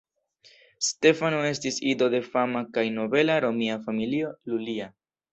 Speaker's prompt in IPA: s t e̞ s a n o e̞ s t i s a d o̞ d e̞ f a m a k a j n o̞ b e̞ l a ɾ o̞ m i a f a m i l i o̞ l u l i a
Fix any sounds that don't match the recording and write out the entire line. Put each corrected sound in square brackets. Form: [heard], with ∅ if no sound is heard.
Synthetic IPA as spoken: s t e̞ [f] a n o e̞ s t i s [i] d o̞ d e̞ f a m a k a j n o̞ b e̞ l a ɾ o̞ m i a f a m i l i o̞ l u l i a